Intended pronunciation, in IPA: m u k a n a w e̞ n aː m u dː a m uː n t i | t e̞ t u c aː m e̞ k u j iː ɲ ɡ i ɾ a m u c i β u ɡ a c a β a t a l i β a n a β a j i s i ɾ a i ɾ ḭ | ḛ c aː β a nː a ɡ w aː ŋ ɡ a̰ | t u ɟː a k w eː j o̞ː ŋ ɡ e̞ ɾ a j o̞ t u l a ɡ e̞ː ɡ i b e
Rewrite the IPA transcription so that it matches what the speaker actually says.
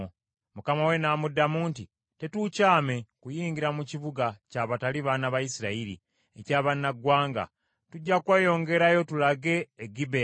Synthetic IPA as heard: m u k a m a w e̞ n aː m u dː a m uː n t i | t e̞ t u c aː m e̞ k u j iː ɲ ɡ i ɾ a m u c i β u ɡ a c a β a t a l i β a n a β a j i s i ɾ a i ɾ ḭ | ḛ c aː β a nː a ɡ w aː ŋ ɡ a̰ | t u ɟː a k w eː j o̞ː ŋ ɡ e̞ ɾ a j o̞ t u l a ɡ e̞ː ɡ i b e